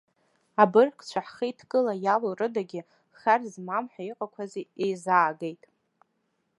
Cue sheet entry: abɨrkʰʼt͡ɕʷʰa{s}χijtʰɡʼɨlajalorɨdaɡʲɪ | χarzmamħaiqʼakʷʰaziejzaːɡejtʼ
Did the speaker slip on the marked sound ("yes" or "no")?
yes